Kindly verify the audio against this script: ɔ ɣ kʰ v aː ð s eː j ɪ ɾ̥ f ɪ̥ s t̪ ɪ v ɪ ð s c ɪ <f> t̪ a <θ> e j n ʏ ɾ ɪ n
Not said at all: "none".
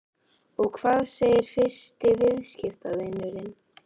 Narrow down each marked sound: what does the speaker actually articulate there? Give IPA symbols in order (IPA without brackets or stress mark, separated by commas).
f, ð